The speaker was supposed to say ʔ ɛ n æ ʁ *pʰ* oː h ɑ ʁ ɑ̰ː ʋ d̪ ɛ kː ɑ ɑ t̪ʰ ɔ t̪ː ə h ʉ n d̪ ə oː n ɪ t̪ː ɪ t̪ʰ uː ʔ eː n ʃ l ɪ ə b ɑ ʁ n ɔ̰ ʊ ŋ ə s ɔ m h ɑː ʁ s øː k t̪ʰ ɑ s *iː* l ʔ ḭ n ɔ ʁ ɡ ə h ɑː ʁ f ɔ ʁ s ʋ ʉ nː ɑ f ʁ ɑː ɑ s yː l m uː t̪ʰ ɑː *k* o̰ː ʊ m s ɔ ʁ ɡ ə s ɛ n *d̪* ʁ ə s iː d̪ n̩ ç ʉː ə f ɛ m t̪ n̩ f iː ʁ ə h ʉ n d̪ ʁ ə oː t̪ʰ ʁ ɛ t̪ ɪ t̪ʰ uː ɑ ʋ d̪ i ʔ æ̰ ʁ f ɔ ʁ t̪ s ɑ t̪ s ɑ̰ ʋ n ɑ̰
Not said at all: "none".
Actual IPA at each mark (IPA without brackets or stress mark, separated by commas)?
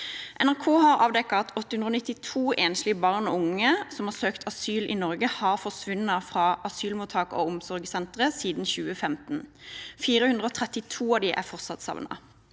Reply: kʰ, yː, k, t̪